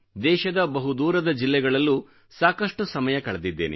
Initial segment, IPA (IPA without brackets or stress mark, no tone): d̪